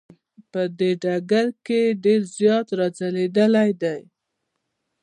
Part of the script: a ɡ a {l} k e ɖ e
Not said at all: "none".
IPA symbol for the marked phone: ɾ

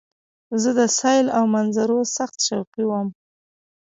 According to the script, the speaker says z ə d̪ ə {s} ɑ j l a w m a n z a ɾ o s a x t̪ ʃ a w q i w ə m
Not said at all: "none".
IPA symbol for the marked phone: s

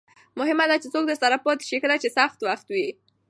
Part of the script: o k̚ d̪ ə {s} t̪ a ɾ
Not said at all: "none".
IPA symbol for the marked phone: s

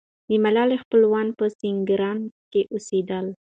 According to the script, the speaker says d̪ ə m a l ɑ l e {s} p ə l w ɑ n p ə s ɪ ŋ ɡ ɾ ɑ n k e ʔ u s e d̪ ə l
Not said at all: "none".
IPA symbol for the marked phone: x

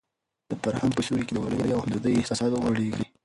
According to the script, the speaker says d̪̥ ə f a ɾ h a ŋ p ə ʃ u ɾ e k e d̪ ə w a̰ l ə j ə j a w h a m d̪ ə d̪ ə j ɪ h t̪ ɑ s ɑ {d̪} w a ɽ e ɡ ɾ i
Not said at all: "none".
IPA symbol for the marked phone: d̪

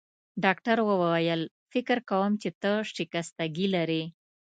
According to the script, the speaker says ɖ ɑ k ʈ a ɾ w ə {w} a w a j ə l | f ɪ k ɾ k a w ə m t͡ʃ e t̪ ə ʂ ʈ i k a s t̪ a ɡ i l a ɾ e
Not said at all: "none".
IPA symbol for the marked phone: w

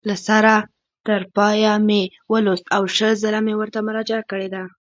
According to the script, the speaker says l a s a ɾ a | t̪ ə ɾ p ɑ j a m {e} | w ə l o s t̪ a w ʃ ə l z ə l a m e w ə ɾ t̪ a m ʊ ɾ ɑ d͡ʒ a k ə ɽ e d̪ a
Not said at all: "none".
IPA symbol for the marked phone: e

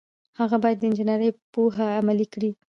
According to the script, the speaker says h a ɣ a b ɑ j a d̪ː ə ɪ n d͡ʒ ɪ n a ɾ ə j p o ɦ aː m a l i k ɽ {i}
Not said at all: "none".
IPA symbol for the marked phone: i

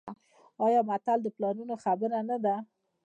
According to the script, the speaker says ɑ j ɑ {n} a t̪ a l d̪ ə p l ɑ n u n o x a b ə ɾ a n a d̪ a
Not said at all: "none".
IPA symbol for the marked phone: m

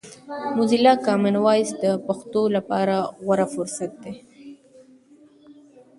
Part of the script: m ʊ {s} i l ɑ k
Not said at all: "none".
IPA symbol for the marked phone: z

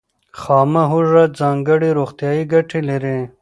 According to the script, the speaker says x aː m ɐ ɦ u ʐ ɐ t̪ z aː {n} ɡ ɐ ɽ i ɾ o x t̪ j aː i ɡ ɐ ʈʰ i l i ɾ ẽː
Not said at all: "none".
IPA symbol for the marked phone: ŋ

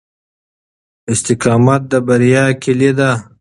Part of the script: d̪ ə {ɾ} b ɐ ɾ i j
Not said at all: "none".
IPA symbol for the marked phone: none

